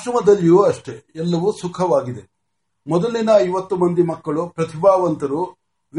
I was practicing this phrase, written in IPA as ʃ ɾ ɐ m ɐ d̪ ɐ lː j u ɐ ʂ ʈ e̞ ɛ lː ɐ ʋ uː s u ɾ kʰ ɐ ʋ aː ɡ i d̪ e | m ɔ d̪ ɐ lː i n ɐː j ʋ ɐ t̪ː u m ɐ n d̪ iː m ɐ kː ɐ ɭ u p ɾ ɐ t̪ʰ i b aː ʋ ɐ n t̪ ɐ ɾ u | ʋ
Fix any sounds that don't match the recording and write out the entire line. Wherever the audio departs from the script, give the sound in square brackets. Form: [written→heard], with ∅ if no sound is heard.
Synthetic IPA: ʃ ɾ ɐ m ɐ d̪ ɐ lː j u ɐ ʂ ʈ e̞ ɛ lː ɐ ʋ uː s u [ɾ→∅] kʰ ɐ ʋ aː ɡ i d̪ e | m ɔ d̪ ɐ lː i n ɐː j ʋ ɐ t̪ː u m ɐ n d̪ [iː→i] m ɐ kː ɐ ɭ u p ɾ ɐ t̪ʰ i b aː ʋ ɐ n t̪ ɐ ɾ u | ʋ